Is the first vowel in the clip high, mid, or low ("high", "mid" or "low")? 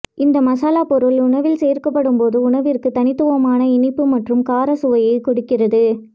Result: high